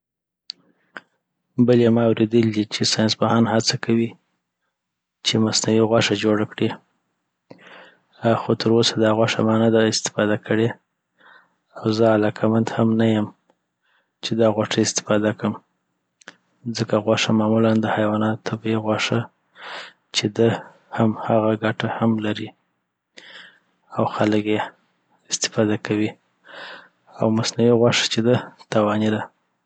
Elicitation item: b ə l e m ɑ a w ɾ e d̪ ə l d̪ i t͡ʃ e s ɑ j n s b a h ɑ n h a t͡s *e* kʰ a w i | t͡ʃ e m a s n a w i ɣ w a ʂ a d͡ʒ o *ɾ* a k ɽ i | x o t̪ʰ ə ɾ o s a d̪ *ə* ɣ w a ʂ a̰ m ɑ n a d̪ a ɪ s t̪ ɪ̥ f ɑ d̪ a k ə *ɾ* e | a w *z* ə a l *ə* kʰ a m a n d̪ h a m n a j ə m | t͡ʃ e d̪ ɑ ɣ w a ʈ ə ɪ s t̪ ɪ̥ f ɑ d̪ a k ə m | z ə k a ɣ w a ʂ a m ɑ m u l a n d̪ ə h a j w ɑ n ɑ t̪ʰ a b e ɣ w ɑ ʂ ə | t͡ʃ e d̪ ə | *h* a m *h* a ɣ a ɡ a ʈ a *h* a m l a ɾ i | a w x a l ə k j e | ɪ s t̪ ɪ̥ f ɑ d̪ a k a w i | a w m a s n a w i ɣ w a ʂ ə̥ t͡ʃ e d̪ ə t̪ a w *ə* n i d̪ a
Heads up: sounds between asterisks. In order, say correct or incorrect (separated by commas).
incorrect, incorrect, incorrect, incorrect, correct, incorrect, correct, correct, correct, incorrect